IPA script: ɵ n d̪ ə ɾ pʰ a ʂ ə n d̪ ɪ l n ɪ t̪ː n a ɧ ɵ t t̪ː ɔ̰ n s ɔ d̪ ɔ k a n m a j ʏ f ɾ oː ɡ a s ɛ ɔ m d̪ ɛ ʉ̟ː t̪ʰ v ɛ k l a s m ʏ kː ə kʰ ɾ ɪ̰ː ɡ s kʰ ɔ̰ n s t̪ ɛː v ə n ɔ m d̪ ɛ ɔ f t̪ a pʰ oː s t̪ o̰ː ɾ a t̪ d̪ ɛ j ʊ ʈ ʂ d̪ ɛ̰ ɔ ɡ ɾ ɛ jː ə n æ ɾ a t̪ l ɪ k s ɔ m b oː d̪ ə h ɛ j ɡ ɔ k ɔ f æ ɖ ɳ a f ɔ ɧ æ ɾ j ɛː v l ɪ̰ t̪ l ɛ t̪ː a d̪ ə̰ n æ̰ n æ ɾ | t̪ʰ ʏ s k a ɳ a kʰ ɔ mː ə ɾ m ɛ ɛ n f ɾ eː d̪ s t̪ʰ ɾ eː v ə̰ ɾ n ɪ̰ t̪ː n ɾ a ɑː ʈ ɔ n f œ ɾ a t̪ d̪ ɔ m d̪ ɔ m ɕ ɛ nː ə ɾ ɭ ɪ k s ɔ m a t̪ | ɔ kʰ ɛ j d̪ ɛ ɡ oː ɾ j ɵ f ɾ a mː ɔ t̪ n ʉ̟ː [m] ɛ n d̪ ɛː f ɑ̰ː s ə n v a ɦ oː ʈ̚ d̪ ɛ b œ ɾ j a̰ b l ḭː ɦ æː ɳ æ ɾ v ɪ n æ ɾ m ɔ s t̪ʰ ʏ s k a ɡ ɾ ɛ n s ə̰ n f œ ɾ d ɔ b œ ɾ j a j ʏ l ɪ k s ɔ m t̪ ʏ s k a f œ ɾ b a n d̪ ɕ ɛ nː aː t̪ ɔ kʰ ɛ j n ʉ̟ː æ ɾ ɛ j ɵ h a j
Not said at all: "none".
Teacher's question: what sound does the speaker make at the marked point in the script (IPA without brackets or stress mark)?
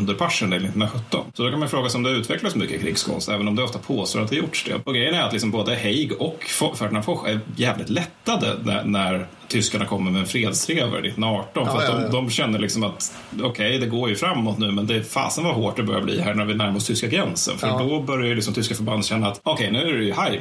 m